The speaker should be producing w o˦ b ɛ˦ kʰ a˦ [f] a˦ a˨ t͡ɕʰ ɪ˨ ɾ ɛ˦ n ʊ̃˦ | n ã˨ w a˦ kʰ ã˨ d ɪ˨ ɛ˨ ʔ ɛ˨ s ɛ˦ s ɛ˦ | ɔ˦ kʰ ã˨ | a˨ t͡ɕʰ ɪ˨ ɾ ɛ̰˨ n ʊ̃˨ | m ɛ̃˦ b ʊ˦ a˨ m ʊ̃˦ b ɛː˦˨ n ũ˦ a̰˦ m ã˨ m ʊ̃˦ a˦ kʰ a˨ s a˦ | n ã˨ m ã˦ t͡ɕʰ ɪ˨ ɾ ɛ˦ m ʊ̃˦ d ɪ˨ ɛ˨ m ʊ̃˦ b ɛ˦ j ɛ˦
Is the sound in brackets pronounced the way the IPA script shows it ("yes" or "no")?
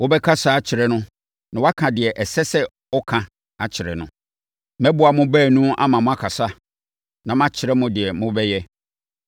no